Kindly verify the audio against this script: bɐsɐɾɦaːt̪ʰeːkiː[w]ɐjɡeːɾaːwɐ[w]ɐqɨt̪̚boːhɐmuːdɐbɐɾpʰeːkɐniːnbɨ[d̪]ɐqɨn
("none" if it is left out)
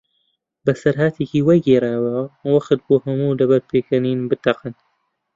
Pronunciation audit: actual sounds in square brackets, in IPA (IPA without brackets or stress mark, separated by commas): w, w, t̪